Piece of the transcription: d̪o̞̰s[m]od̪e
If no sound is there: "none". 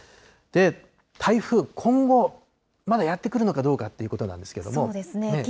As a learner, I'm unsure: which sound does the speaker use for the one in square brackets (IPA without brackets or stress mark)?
m